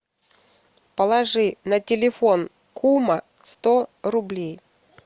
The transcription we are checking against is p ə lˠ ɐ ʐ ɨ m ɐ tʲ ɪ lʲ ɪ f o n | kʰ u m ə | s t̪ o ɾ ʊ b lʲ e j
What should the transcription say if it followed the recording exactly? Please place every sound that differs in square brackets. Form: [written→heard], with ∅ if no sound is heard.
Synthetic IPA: p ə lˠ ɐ ʐ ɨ [m→n] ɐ tʲ ɪ lʲ ɪ f o n | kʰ u m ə | s t̪ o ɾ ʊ b lʲ e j